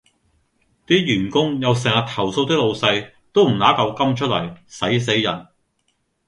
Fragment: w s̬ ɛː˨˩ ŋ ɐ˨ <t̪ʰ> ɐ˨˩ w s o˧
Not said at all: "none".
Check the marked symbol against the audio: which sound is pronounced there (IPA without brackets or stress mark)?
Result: t̪ʰ